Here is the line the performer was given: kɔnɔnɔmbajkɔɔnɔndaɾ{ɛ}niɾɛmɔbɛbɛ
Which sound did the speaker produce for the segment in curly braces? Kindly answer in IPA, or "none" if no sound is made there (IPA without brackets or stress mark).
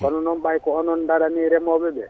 a